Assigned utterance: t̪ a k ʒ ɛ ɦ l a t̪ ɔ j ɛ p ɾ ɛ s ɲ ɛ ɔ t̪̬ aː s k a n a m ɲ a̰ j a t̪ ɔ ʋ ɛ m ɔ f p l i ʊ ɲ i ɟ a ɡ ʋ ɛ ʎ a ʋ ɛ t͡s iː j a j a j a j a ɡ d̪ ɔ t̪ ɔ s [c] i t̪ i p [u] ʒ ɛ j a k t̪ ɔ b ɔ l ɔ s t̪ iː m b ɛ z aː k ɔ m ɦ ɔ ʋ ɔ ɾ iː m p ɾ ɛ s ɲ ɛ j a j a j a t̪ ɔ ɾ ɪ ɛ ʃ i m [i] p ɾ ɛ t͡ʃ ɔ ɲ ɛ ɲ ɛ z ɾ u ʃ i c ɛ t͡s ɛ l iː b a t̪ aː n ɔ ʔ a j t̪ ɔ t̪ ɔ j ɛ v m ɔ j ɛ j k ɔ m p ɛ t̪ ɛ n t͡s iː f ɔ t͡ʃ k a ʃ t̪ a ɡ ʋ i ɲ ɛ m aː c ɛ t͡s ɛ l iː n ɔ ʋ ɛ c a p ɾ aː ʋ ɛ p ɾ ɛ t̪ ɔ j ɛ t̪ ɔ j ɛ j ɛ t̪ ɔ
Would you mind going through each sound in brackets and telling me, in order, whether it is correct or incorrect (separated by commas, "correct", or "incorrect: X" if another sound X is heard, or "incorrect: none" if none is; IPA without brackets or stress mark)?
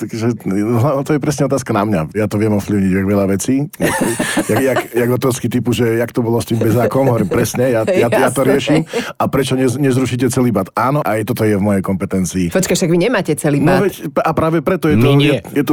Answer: incorrect: k, correct, incorrect: a